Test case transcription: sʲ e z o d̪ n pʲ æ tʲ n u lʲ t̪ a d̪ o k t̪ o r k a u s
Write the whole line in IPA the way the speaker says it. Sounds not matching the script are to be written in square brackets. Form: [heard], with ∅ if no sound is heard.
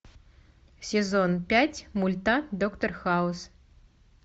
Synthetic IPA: sʲ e z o [∅] n pʲ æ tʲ [m] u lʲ t̪ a d̪ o k t̪ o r [x] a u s